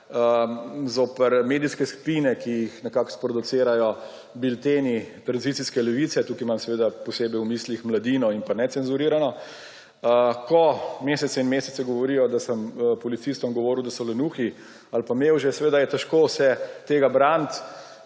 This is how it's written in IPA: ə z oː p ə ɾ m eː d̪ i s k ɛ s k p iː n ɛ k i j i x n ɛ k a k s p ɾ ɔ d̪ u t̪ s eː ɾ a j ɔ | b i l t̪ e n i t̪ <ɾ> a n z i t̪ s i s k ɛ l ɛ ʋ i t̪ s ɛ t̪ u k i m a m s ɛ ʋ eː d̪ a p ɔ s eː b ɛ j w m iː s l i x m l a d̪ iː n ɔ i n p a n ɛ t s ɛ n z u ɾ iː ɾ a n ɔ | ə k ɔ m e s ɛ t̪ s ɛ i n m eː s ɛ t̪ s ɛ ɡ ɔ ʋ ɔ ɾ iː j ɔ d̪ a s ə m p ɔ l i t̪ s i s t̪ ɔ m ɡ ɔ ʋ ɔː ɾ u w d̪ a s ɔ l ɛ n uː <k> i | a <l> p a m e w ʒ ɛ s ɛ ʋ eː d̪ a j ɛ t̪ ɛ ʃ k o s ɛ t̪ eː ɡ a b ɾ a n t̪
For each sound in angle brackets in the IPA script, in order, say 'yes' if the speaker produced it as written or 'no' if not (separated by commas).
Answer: yes, no, yes